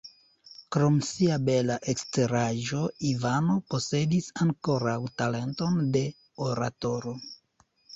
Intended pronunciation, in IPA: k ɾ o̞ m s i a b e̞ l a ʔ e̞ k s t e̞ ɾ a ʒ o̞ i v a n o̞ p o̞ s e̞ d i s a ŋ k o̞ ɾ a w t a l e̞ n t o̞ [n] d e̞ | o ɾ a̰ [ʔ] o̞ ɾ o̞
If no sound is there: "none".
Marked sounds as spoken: n, t

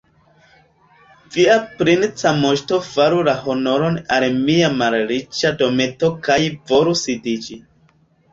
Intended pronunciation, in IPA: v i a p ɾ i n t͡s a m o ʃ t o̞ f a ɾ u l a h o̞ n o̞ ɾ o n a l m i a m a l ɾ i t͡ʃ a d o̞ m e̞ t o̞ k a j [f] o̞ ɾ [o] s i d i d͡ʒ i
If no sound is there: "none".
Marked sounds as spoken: v, u

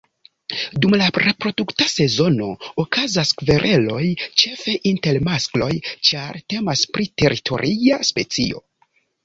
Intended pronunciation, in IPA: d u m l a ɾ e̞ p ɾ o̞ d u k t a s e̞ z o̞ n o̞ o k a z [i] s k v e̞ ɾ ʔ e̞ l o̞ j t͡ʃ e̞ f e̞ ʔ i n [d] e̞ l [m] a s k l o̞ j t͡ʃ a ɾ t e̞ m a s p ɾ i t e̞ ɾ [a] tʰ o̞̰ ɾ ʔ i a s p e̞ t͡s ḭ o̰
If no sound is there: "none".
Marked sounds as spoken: a, t, m, i

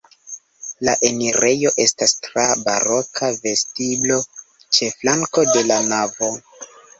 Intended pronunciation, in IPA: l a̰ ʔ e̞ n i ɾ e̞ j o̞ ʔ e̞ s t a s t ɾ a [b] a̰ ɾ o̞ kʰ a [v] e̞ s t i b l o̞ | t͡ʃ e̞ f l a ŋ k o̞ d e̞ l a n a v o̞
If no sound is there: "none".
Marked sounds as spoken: b, v

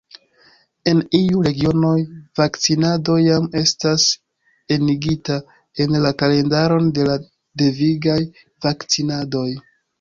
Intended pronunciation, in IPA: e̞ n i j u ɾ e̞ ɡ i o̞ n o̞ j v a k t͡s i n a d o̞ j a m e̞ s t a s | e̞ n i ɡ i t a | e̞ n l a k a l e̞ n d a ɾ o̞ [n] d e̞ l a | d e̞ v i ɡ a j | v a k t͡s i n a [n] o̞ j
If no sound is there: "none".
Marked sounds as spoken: n, d

